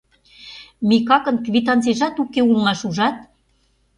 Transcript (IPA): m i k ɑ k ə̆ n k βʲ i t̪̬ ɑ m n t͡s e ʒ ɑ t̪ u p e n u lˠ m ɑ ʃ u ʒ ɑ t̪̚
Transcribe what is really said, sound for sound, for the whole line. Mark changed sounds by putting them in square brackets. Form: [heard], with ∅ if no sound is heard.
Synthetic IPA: m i k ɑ k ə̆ n k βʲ i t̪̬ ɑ [∅] n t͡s e ʒ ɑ t̪ u [k] e [∅] u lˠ m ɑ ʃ u ʒ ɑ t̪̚